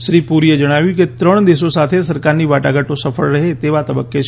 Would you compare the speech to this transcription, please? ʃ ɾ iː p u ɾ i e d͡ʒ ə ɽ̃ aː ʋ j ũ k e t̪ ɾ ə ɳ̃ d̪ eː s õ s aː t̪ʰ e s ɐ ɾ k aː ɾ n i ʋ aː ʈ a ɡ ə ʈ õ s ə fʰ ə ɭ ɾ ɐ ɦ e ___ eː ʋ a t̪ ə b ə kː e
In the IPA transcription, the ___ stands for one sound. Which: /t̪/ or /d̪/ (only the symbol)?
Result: t̪